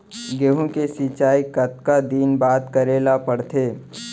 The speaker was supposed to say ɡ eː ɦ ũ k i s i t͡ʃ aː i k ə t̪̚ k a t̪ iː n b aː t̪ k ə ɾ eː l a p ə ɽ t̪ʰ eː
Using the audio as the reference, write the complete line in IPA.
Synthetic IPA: ɡ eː ɦ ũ k e s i t͡ʃ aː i k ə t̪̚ k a d̪ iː n b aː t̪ k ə ɾ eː l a p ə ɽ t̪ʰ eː